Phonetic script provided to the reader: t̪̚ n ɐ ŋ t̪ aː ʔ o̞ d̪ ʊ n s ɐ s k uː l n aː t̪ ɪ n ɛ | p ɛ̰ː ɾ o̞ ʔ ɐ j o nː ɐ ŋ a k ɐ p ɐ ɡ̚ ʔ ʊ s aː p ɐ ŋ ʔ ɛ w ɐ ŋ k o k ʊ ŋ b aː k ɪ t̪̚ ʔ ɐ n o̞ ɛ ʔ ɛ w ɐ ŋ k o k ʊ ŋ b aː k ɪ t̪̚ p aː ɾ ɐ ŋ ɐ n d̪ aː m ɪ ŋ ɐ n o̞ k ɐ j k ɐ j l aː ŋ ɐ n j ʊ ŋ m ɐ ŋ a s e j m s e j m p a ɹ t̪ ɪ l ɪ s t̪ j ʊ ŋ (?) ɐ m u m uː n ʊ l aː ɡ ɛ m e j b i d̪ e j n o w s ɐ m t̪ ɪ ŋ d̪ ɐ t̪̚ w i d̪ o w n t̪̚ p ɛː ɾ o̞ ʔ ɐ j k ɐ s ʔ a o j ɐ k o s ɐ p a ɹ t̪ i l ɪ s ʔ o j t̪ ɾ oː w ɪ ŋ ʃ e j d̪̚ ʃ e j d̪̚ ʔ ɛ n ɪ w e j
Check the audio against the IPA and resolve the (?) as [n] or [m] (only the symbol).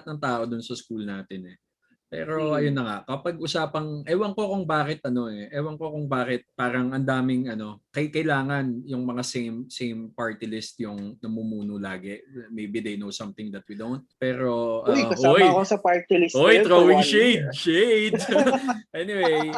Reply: n